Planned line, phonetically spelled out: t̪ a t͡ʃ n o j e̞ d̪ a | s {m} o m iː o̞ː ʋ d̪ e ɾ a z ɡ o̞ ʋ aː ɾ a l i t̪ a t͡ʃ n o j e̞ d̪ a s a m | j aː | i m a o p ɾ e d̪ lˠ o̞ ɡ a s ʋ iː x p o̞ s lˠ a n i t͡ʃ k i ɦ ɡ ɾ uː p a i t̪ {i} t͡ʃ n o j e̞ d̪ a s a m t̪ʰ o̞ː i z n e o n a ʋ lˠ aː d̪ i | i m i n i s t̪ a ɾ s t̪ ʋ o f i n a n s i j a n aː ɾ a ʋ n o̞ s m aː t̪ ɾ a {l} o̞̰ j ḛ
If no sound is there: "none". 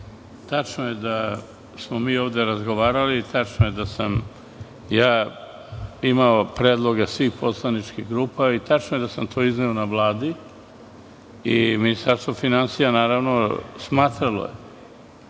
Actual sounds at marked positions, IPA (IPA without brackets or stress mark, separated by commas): m, a, l